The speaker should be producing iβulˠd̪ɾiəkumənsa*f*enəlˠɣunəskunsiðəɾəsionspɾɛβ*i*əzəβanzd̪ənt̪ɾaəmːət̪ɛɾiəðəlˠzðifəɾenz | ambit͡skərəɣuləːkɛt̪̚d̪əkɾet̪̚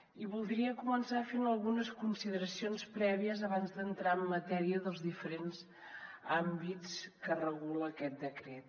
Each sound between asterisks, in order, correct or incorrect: correct, correct

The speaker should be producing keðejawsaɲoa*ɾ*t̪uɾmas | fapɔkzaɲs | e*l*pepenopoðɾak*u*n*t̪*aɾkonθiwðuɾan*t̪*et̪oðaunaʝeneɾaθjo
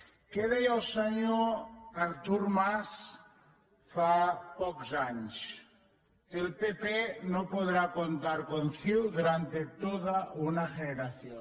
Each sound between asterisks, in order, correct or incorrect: correct, correct, incorrect, correct, correct

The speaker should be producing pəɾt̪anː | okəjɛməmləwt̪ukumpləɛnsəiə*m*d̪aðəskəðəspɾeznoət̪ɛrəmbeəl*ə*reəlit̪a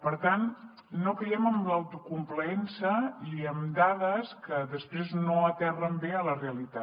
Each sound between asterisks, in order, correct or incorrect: correct, correct

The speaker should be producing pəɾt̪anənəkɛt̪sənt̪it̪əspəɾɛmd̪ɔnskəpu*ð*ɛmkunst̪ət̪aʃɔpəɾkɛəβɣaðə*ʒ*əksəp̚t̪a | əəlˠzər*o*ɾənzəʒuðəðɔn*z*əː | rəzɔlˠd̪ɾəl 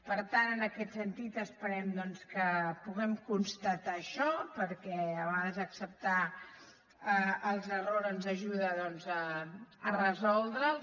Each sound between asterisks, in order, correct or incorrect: incorrect, incorrect, correct, correct

